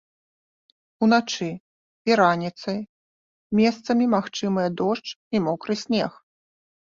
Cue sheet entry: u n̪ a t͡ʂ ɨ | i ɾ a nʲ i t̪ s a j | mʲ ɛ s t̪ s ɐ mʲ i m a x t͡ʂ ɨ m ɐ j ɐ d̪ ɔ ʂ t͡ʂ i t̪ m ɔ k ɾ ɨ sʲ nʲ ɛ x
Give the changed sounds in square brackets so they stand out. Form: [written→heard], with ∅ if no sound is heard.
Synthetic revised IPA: u n̪ a t͡ʂ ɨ | i ɾ a nʲ i t̪ s [a→ɐ] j | mʲ ɛ s t̪ s ɐ mʲ i m a x t͡ʂ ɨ m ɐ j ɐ d̪ ɔ ʂ t͡ʂ i [t̪→∅] m ɔ k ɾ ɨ sʲ nʲ ɛ x

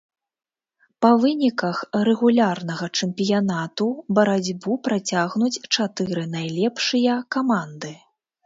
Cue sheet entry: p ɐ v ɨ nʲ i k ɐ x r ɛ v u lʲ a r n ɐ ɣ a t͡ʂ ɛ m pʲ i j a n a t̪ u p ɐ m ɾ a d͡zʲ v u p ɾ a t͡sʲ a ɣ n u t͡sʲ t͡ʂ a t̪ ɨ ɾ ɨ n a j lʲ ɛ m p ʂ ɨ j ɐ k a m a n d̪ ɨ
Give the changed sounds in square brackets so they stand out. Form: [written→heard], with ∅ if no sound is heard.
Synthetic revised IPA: p ɐ v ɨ nʲ i k ɐ x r ɛ [v→ɣ] u lʲ a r n ɐ ɣ [a→ɐ] t͡ʂ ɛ m pʲ i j a n a t̪ u [p→b] ɐ [m→∅] ɾ a d͡zʲ [v→b] u p ɾ a t͡sʲ a ɣ n u t͡sʲ t͡ʂ a t̪ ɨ ɾ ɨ n a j lʲ ɛ [m→∅] p ʂ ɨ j ɐ k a m a n d̪ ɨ

